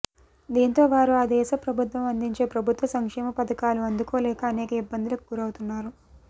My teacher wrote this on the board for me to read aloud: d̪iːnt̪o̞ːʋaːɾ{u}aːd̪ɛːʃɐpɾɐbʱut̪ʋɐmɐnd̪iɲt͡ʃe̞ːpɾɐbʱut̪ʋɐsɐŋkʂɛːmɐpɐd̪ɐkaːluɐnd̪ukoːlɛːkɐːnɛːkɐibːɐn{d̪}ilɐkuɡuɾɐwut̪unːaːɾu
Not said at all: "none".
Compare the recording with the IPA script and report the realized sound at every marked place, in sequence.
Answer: u, d̪

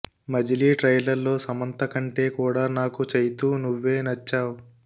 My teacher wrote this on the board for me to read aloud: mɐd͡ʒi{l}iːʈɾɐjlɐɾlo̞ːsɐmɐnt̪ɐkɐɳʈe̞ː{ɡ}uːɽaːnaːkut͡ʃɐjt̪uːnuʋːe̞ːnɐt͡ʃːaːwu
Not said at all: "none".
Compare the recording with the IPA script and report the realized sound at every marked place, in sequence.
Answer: l, k

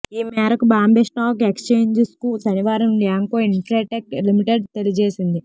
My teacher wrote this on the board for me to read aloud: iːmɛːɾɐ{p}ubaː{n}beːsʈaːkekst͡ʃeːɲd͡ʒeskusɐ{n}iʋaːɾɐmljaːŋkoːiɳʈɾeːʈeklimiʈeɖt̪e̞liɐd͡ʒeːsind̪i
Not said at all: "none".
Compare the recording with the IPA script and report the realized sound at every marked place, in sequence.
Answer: k, m, n

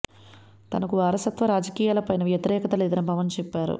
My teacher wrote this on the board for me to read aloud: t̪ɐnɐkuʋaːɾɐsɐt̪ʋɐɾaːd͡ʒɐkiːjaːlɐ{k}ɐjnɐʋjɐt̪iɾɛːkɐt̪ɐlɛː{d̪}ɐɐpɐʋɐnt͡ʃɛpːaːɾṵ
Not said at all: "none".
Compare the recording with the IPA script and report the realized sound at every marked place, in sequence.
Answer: p, d̪

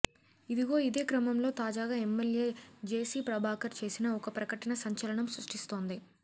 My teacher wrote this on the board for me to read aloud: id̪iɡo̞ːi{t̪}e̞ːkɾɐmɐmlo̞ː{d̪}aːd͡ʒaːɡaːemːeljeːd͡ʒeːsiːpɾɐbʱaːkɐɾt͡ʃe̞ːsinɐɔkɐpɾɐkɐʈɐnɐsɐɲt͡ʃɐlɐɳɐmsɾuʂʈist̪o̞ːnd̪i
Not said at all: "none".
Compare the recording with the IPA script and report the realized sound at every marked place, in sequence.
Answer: d̪, t̪

